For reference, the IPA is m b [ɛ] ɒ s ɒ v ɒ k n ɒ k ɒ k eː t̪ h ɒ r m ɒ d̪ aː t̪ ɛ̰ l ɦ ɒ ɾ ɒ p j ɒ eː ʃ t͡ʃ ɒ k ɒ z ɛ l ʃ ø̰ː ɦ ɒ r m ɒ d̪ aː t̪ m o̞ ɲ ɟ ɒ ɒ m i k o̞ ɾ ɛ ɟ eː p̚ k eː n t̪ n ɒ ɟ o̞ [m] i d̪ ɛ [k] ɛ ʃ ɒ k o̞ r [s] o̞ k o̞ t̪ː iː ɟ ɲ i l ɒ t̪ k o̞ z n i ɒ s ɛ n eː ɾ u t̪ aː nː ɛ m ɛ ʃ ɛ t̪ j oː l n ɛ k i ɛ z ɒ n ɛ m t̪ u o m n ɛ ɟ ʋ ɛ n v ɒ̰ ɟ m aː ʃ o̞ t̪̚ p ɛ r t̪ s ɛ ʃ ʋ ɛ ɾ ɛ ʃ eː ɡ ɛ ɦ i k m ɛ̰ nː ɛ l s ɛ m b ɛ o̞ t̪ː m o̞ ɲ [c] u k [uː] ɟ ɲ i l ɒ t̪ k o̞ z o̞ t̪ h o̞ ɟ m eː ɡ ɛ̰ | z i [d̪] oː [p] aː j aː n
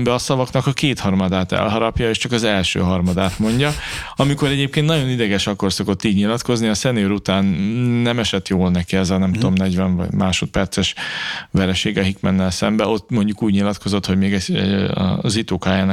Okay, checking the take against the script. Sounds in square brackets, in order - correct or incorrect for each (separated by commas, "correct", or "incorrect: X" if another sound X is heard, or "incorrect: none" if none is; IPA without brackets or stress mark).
correct, incorrect: n, incorrect: ɡ, correct, incorrect: ɟ, correct, incorrect: t̪, incorrect: k